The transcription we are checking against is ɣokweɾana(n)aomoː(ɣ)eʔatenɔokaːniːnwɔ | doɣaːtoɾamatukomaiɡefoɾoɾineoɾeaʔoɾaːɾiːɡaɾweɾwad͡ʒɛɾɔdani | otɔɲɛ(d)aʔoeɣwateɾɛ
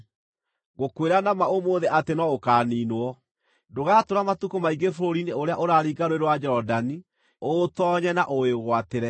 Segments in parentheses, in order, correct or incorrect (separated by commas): incorrect, incorrect, incorrect